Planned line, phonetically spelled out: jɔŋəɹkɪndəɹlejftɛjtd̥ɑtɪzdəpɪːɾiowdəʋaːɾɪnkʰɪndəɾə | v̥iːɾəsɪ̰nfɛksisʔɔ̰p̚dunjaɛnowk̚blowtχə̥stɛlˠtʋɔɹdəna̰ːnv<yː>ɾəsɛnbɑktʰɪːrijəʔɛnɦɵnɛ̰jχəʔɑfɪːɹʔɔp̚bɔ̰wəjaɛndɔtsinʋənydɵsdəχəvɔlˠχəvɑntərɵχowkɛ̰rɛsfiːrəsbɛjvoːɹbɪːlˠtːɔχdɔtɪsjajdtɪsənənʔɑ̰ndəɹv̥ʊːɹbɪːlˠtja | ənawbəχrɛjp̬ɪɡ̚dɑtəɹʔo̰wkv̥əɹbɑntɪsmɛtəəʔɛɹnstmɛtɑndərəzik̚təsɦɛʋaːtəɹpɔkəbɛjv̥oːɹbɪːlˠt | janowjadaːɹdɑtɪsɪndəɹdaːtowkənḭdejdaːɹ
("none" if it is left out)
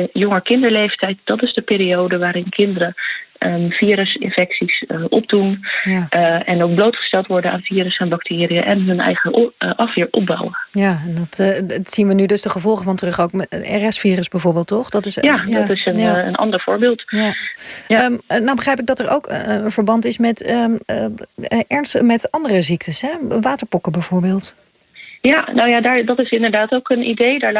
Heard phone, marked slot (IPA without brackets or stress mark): iː